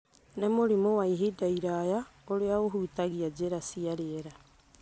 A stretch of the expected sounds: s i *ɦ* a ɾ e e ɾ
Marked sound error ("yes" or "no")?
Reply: yes